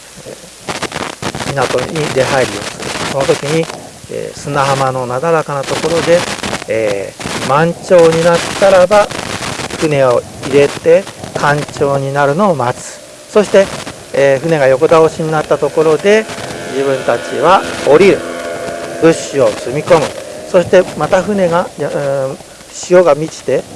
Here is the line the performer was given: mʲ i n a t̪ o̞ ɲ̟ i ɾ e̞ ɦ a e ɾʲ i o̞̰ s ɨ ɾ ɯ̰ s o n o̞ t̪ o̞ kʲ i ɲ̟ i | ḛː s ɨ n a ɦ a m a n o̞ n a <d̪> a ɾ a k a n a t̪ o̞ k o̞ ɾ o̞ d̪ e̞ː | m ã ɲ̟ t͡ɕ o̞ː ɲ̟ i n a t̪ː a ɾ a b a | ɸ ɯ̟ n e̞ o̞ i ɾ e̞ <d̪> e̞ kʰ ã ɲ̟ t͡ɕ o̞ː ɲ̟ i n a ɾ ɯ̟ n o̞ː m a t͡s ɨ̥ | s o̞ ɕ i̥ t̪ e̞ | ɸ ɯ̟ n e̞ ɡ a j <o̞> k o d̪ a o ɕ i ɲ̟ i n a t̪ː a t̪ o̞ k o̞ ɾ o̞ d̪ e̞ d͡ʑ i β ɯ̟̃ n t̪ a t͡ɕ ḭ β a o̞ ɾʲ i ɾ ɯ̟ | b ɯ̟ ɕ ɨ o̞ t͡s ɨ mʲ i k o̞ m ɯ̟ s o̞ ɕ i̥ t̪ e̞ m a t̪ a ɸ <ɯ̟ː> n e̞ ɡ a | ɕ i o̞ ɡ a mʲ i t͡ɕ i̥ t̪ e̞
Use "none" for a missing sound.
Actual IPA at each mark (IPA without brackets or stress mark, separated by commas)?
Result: d̪, t̪, o̞, ɯ̟